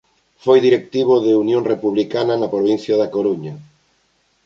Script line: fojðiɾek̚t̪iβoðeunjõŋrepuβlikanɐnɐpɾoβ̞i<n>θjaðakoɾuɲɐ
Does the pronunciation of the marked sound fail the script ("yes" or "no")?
no